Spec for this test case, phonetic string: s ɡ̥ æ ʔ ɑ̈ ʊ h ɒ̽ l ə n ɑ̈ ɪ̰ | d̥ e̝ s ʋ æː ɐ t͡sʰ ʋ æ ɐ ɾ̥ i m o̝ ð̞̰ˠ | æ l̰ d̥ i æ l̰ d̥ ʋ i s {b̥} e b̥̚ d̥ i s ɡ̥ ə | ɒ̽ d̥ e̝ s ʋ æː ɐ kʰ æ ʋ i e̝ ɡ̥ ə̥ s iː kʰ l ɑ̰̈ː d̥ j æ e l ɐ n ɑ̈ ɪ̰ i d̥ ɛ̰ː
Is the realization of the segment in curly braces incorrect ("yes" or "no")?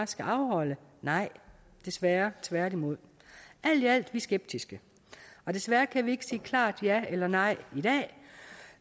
yes